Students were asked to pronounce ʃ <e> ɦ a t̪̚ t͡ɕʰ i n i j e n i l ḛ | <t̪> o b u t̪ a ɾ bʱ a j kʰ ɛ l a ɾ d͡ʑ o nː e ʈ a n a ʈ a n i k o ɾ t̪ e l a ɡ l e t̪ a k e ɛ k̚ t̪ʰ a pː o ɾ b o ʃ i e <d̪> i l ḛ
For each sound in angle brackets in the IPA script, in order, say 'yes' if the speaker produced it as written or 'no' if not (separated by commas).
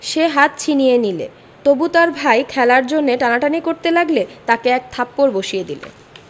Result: yes, yes, yes